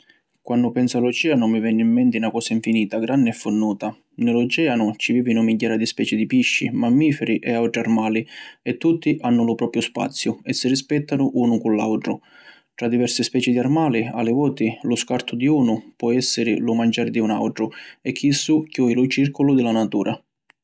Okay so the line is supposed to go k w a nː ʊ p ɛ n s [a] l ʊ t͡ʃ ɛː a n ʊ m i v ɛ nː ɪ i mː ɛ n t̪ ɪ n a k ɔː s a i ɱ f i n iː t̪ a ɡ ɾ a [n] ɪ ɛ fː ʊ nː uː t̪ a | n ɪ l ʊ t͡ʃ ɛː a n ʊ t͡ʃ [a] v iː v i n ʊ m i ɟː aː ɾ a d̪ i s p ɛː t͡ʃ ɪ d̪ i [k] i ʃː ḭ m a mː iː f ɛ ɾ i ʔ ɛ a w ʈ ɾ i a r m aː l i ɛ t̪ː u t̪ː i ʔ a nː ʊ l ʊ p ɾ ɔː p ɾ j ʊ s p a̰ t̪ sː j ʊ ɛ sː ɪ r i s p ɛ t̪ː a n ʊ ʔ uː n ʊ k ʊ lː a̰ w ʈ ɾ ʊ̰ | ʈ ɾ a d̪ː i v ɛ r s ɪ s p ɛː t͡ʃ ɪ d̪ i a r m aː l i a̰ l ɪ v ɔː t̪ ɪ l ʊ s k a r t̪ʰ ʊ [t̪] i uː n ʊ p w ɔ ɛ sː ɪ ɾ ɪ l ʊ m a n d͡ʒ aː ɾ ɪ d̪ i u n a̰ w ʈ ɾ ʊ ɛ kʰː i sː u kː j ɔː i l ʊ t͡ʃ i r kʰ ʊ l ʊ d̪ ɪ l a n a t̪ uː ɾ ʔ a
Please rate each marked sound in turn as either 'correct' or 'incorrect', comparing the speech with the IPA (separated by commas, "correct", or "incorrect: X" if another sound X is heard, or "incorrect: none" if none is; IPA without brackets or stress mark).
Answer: correct, incorrect: nː, incorrect: i, incorrect: p, incorrect: d̪